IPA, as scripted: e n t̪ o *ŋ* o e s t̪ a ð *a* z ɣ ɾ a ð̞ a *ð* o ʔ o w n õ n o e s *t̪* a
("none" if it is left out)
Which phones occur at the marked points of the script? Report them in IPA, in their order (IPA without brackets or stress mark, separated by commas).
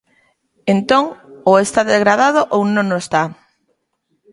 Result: ŋ, e, ð, t̪